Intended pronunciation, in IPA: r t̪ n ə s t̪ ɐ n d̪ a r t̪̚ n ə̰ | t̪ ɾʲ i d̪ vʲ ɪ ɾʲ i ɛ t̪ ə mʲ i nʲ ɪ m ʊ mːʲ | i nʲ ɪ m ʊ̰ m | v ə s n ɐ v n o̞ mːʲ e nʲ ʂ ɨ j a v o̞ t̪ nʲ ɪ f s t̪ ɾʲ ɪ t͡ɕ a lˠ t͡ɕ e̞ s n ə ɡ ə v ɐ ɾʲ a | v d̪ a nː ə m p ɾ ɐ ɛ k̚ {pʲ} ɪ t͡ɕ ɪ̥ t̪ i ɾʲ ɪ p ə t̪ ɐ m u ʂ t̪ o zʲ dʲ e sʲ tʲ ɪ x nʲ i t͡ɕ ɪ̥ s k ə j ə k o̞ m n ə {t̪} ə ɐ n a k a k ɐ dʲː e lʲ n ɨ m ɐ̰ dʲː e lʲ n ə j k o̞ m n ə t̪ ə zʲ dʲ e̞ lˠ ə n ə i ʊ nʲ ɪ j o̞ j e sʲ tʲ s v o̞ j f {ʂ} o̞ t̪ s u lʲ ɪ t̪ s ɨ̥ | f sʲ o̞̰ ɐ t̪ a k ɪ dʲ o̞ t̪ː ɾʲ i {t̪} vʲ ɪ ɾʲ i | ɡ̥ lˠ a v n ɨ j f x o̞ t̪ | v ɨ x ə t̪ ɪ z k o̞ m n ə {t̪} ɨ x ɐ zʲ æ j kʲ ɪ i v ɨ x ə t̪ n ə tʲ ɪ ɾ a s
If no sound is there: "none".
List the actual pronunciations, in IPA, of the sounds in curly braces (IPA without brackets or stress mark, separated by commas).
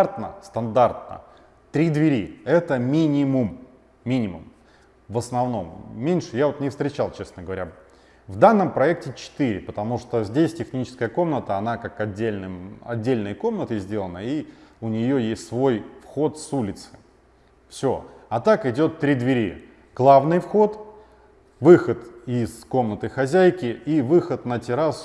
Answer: tʲ, t̪, x, d̪, t̪